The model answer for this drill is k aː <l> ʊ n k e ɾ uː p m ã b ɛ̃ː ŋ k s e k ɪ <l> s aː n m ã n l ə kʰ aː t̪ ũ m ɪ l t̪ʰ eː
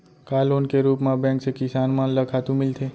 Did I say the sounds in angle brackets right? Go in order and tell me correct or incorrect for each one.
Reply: correct, incorrect

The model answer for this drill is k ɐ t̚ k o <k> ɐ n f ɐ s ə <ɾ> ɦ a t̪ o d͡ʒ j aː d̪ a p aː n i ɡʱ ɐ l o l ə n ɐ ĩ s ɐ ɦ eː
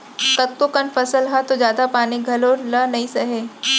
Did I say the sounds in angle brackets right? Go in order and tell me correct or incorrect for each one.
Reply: correct, incorrect

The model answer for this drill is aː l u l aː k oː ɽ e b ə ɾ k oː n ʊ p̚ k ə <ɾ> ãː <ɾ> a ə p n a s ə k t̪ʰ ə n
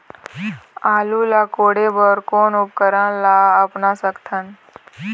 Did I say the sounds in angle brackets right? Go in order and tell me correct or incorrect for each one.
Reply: correct, incorrect

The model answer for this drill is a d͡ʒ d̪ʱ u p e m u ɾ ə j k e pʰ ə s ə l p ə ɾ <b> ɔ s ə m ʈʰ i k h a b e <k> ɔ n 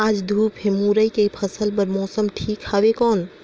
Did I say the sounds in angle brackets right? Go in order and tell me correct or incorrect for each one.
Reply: incorrect, correct

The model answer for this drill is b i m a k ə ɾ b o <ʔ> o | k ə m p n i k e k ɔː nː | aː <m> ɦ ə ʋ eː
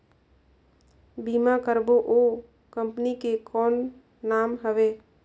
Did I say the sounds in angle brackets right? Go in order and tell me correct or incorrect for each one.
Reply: correct, correct

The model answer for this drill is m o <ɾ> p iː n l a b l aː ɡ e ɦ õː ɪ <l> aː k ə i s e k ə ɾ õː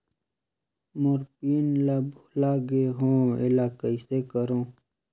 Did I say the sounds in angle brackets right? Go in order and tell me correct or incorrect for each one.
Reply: correct, correct

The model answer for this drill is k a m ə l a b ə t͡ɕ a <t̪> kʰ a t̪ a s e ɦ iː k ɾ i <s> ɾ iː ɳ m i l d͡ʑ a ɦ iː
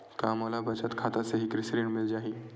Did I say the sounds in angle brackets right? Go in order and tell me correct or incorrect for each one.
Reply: correct, correct

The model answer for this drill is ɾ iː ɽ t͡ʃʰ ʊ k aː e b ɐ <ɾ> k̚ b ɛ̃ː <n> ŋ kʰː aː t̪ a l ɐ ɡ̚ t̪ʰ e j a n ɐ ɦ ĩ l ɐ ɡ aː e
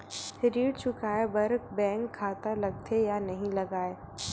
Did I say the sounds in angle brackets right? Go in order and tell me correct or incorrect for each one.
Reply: correct, incorrect

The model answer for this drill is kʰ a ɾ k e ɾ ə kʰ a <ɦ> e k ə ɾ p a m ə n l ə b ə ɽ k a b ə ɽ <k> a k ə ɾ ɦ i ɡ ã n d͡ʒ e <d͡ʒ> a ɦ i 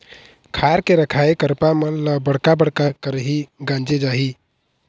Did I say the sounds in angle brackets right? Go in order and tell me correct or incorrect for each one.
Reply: incorrect, correct, correct

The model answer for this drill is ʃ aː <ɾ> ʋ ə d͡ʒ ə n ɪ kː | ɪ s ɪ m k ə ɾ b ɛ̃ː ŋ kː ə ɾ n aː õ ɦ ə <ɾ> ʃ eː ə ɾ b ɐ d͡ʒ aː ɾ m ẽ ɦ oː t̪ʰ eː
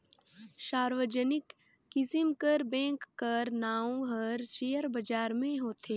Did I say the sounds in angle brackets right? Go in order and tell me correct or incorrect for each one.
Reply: correct, correct

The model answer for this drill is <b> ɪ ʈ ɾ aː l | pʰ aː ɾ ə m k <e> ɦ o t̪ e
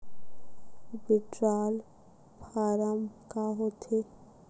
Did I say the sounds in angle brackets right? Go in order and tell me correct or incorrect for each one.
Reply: correct, incorrect

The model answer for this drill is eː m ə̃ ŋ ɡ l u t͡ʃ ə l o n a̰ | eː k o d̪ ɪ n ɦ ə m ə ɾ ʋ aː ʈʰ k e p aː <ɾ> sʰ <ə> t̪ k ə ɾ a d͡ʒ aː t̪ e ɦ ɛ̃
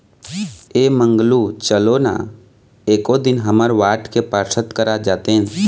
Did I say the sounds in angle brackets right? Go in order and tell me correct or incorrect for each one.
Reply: correct, correct

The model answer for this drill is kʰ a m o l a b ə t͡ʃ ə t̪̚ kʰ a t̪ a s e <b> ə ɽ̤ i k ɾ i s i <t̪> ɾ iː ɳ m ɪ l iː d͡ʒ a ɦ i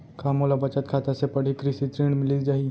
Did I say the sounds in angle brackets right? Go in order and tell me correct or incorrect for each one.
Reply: incorrect, correct

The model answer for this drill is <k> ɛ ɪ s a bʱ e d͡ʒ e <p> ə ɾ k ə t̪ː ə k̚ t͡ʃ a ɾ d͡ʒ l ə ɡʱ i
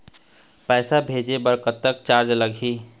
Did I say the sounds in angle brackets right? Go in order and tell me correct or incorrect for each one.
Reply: incorrect, incorrect

